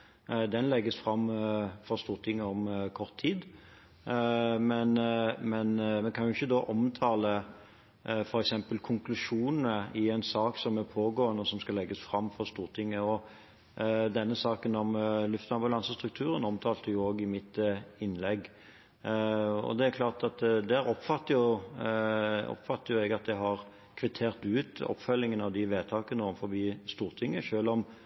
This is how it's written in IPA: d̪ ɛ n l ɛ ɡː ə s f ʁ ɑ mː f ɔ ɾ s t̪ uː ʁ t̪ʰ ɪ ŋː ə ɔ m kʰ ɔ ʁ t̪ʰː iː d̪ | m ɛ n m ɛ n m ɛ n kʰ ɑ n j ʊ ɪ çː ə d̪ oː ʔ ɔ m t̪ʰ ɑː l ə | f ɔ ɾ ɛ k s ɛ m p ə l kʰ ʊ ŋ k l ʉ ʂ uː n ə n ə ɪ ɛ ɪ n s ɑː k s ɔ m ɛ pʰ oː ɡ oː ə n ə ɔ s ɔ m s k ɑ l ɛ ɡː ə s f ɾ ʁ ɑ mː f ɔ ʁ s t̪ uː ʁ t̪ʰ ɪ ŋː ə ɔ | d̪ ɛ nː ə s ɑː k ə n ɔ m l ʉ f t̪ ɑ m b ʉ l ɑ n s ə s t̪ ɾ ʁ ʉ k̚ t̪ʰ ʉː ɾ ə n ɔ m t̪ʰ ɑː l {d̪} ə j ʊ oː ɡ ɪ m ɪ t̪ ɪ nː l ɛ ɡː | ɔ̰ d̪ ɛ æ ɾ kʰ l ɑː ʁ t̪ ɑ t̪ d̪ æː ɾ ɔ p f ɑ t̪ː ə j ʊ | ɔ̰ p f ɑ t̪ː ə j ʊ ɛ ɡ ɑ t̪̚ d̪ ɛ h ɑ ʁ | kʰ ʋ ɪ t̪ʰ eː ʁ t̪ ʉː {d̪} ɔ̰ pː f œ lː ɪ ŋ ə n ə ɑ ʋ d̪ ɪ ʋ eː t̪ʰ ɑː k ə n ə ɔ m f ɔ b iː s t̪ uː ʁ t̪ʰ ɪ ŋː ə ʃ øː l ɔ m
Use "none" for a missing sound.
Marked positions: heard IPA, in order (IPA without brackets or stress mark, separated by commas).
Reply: t̪, t̪